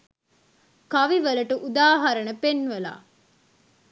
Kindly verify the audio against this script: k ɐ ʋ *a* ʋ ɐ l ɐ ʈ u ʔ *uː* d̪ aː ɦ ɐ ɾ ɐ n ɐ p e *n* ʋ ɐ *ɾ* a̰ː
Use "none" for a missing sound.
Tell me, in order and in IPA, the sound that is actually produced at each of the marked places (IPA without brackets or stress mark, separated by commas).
i, u, n, l